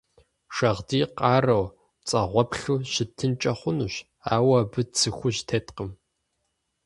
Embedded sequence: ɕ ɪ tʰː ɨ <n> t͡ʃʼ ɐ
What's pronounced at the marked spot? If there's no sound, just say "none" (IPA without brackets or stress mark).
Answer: n